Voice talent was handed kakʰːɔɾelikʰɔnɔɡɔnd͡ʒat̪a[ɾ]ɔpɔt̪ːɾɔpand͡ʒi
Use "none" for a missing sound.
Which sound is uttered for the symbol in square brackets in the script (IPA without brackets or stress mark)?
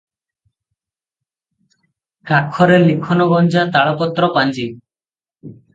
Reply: ɭ